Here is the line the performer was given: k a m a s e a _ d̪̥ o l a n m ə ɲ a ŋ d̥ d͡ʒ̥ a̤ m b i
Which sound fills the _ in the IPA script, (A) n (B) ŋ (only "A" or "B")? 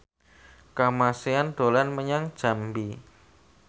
A